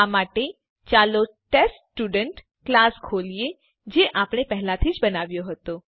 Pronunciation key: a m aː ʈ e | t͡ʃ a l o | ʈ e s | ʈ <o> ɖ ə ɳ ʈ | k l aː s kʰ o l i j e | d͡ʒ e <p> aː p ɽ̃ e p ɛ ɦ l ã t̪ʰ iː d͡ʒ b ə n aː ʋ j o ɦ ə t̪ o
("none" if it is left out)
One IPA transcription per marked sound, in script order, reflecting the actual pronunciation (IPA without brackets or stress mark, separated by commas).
u, ʔ